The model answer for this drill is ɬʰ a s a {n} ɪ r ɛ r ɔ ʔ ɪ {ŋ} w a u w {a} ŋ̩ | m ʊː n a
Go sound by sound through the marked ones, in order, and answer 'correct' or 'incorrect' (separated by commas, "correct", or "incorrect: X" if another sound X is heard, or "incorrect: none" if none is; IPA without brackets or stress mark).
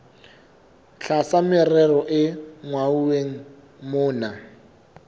incorrect: m, correct, incorrect: e